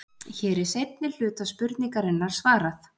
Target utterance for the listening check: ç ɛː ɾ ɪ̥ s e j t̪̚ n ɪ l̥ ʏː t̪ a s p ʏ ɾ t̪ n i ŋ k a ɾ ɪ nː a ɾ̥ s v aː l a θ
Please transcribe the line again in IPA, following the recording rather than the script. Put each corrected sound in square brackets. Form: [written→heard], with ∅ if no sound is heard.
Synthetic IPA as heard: ç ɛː ɾ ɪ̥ s e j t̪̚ n ɪ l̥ ʏː t̪ a s p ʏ ɾ t̪ n i ŋ k a ɾ ɪ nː a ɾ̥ s v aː [l→ɾ] a θ

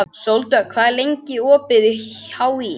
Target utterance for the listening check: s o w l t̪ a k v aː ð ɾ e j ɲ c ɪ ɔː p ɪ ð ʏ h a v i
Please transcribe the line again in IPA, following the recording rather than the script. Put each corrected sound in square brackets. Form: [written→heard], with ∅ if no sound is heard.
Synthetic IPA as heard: s o w l t̪ a [k→kʰ] v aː ð [ɾ→l] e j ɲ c ɪ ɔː p ɪ ð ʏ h a [v→w] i

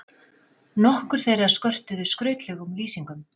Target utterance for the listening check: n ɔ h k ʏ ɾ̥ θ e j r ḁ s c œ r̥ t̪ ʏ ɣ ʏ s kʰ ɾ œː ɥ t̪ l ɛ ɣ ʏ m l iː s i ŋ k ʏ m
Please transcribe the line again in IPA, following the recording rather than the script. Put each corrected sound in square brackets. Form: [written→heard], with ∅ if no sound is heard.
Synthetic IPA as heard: n ɔ h k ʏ ɾ̥ θ e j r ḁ s [c→k] œ r̥ t̪ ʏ [ɣ→ð] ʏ s [kʰ→k] ɾ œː ɥ t̪ l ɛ ɣ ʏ m l iː s i ŋ k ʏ m

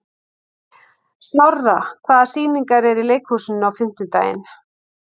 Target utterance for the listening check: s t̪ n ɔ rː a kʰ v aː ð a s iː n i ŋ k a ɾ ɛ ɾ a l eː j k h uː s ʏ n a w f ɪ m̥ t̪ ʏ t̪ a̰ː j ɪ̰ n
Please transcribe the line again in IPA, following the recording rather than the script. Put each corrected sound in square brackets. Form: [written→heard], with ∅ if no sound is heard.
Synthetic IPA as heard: s t̪ n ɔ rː a kʰ v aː ð a s iː n i ŋ k a ɾ ɛ ɾ [a→i] l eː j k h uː s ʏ n a w f ɪ m̥ t̪ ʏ t̪ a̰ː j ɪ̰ n

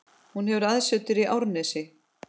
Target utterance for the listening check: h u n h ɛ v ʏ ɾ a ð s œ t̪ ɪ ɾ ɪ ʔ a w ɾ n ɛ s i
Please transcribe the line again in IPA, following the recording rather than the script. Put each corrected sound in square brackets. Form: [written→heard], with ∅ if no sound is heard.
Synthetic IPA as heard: h u n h ɛ v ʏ ɾ a ð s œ t̪ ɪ ɾ [ɪ→i] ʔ a w ɾ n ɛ s [i→ɪ]

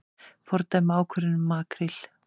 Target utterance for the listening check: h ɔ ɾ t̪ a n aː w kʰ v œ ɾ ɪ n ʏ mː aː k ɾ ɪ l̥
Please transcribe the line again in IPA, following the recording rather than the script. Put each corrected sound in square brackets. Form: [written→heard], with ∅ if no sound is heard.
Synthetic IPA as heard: [h→f] ɔ ɾ t̪ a [n→m] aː w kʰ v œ ɾ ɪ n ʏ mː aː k ɾ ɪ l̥

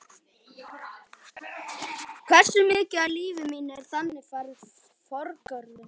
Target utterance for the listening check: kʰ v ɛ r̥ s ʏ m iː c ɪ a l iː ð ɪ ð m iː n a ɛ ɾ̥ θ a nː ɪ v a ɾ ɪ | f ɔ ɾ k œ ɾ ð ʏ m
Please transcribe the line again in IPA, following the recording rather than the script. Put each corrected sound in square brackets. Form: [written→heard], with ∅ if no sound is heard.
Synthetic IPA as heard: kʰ v ɛ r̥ s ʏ m [iː→ɪː] c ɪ a l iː [ð→v] ɪ [ð→∅] m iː n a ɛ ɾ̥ θ a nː ɪ [v→f] a ɾ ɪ | f ɔ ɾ k œ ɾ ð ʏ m

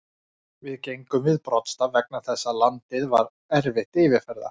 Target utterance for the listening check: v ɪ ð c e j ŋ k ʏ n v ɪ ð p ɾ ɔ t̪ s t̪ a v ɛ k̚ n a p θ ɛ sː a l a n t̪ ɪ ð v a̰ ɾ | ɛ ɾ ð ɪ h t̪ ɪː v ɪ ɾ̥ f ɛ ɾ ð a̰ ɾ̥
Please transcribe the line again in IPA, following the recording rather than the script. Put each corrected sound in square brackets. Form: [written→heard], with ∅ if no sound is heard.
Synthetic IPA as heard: v ɪ ð c e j ŋ k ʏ [n→m] v ɪ ð p ɾ ɔ t̪ s t̪ a v ɛ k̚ n a [p→∅] θ ɛ sː a l a n t̪ ɪ ð v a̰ ɾ | ɛ ɾ [ð→v] ɪ h t̪ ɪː v ɪ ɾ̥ f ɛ ɾ ð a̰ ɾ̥

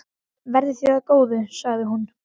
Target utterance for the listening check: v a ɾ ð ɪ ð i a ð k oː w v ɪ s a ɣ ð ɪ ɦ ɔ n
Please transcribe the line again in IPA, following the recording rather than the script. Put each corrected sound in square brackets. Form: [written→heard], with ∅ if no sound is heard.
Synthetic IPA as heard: v [a→ɛ] ɾ ð ɪ [ð→θ] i a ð k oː w [v→ð] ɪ s a ɣ ð ɪ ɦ [ɔ→u] n

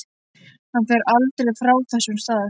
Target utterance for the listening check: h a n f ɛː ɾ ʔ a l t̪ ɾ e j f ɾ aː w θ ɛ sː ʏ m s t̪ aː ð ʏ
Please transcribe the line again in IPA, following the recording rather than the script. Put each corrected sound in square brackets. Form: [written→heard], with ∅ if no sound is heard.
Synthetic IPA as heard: h a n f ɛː ɾ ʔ a l t̪ ɾ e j f ɾ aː w θ ɛ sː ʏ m s t̪ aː ð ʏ

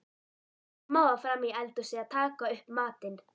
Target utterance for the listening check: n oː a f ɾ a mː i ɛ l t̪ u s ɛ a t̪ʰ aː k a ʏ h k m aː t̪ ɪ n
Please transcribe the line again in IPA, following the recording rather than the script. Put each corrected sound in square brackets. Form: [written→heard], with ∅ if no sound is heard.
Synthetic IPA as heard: [n→m] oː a f ɾ a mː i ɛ l t̪ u s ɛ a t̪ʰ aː k a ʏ h [k→p] m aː t̪ ɪ n

